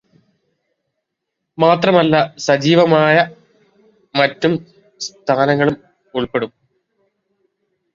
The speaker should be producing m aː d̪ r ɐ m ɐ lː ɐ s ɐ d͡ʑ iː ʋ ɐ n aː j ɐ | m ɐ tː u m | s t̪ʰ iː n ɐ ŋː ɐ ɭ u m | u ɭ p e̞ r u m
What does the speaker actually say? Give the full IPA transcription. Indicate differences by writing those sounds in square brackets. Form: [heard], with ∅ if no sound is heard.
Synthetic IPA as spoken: m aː [t̪] r ɐ m ɐ lː ɐ s ɐ d͡ʑ iː ʋ ɐ [m] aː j ɐ | m ɐ tː u m | s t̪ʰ [aː] n ɐ ŋː ɐ ɭ u m | u ɭ p e̞ [ɽ] u m